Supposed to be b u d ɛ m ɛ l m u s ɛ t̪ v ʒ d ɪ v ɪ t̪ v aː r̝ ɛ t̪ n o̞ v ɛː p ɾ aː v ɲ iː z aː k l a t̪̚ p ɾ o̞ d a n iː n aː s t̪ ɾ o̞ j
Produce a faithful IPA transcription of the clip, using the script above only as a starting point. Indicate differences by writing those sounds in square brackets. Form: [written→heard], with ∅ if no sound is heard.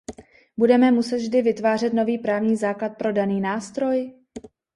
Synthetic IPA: b u d ɛ m ɛ [l→∅] m u s ɛ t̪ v ʒ d ɪ v ɪ t̪ v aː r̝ ɛ t̪ n o̞ v [ɛː→iː] p ɾ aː v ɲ iː z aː k l a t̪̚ p ɾ o̞ d a n iː n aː s t̪ ɾ o̞ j